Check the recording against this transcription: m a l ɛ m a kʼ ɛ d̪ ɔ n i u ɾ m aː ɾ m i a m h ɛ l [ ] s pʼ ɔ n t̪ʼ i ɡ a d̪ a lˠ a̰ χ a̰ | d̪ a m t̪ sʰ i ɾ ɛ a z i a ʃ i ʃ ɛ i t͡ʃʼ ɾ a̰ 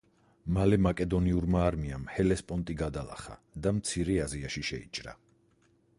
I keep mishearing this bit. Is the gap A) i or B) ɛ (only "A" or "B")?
B